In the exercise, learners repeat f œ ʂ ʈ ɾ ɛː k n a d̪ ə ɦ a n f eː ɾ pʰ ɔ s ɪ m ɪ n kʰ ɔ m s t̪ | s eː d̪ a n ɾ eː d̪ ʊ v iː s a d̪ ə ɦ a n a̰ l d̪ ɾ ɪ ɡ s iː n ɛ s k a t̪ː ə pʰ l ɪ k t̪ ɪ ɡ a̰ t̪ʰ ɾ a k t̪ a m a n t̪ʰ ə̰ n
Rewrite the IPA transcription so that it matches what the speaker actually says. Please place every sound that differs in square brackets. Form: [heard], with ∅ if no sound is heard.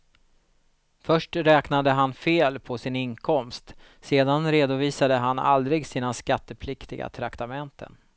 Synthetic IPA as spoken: f œ ʂ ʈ ɾ ɛː k n a d̪ ə ɦ a n f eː [l] pʰ ɔ s ɪ [n] ɪ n kʰ ɔ m s t̪ | s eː d̪ a n ɾ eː d̪ ʊ v iː s a d̪ ə ɦ a n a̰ l d̪ ɾ ɪ ɡ s iː n [a] s k a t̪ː ə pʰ l ɪ k t̪ ɪ ɡ a̰ t̪ʰ ɾ a k t̪ a m [ɛ] n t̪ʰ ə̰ n